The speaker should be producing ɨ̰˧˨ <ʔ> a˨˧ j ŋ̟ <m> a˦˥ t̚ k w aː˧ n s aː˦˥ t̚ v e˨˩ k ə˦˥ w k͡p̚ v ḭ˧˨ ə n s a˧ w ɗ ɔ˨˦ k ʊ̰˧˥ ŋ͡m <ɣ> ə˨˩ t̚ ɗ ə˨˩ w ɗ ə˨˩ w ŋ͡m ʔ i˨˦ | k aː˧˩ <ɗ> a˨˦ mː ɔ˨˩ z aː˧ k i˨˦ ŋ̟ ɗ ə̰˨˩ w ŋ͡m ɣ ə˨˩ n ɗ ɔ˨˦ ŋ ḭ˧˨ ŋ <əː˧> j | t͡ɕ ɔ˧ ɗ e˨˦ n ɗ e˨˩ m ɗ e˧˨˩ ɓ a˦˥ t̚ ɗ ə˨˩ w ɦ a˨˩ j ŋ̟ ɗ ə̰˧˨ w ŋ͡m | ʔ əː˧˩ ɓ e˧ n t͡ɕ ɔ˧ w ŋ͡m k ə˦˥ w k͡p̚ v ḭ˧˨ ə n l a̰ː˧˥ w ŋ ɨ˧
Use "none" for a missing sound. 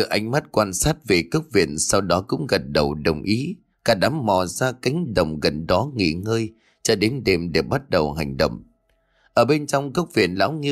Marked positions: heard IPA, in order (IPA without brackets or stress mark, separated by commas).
ʔ, m, ɣ, ɗ, əː˧